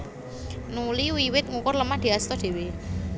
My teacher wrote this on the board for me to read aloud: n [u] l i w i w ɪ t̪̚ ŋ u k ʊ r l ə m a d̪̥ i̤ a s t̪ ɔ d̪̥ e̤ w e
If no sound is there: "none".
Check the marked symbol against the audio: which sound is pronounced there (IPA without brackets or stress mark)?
u